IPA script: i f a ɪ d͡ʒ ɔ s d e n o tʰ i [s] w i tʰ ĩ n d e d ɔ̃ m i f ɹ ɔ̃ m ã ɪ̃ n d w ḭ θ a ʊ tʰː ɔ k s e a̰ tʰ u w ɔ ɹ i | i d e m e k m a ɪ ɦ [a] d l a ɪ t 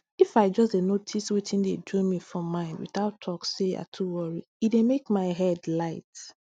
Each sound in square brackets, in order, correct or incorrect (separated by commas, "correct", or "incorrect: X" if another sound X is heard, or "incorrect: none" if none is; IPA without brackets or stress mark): correct, incorrect: ɛ